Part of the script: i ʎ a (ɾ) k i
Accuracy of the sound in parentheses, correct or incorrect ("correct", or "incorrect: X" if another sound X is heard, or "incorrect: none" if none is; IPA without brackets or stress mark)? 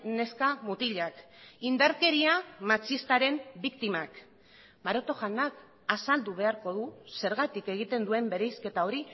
incorrect: none